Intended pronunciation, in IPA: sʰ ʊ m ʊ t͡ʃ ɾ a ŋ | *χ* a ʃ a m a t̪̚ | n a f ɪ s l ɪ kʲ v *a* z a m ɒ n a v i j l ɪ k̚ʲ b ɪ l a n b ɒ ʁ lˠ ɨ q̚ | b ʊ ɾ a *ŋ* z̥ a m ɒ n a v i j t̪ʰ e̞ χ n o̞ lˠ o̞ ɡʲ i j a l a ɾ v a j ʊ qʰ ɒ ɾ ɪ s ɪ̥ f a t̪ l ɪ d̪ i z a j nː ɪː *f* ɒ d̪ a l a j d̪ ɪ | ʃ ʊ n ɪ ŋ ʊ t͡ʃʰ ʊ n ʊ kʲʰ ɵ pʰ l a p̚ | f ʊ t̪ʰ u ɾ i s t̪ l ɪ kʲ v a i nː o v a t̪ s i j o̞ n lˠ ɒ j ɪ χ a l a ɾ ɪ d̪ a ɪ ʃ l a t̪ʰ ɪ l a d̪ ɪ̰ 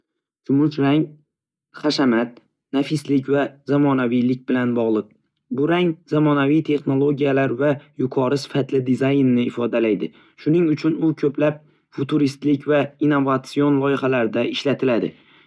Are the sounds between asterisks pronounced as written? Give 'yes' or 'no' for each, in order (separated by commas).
yes, yes, yes, yes